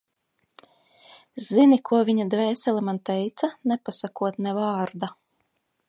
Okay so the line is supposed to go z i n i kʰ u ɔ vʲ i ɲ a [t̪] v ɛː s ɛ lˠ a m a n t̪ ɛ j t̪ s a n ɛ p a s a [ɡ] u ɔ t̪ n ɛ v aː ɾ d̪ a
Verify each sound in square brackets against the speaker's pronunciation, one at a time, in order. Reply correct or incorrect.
incorrect, incorrect

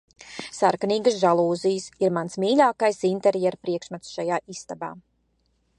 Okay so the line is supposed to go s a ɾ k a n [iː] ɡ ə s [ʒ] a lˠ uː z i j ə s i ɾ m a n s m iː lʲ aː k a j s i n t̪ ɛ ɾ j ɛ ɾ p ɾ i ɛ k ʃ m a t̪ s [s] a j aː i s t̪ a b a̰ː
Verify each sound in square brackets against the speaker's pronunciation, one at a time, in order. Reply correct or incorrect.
correct, correct, incorrect

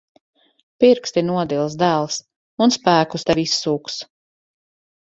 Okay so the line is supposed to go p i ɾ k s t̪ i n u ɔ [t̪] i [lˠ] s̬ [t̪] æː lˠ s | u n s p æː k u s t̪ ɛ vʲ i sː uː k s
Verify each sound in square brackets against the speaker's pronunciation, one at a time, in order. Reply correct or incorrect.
incorrect, correct, incorrect

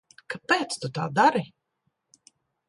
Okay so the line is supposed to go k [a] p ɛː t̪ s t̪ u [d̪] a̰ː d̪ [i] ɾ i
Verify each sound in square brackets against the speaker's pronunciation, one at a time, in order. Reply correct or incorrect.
correct, incorrect, incorrect

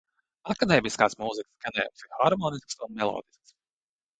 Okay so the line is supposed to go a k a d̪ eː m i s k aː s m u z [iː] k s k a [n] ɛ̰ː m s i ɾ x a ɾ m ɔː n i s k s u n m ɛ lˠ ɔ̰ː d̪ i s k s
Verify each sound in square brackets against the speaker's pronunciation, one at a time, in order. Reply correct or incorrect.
incorrect, correct

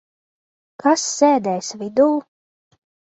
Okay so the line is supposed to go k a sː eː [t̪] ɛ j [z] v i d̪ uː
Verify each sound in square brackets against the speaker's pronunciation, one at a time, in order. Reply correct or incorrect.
incorrect, incorrect

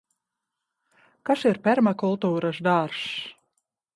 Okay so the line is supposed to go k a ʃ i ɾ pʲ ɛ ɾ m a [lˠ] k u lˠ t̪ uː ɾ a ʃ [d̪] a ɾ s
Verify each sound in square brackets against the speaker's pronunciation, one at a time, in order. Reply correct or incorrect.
incorrect, correct

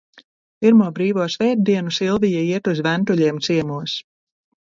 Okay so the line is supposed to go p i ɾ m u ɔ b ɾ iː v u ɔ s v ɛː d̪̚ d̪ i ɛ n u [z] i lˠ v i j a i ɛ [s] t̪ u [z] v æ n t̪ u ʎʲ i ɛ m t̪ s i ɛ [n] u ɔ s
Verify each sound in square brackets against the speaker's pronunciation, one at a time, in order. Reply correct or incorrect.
incorrect, incorrect, correct, incorrect

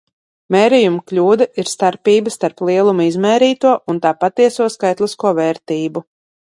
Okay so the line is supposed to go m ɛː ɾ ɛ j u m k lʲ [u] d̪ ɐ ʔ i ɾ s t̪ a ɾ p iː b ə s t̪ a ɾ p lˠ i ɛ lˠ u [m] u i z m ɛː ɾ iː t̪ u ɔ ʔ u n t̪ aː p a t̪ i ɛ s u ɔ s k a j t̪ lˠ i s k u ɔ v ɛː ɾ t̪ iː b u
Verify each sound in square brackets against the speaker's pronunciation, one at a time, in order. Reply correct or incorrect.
incorrect, correct

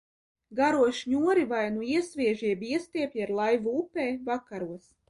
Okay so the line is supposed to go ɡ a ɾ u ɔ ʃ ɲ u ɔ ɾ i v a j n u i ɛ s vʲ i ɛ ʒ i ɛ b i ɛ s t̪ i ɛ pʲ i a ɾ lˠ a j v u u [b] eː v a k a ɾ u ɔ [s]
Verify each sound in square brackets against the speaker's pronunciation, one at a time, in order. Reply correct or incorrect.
incorrect, correct

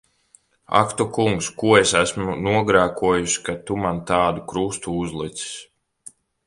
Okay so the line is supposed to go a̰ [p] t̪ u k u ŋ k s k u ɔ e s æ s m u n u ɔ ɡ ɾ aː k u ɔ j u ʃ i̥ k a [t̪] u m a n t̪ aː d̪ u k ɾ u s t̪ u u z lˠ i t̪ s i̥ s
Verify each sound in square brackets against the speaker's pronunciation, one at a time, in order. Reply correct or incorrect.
incorrect, correct

